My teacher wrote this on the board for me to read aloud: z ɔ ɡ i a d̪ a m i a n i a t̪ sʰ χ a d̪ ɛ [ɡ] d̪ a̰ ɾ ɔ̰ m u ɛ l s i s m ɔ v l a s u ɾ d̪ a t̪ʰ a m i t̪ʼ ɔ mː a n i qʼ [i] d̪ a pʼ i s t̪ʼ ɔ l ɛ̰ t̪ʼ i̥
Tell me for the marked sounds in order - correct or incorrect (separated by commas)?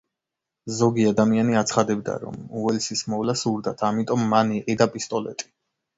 incorrect, correct